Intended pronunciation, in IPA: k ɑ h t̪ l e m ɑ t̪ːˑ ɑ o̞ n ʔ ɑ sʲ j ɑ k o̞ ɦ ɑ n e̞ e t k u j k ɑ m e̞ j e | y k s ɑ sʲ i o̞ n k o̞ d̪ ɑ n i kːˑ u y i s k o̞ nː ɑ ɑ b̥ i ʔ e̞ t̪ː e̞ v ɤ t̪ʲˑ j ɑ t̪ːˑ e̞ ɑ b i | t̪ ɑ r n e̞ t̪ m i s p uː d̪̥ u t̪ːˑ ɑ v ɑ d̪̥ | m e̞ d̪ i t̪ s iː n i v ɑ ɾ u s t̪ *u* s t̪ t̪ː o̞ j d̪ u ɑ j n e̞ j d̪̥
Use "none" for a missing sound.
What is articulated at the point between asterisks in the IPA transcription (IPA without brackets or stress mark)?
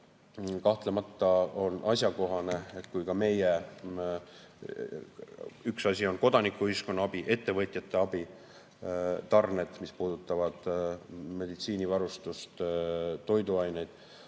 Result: u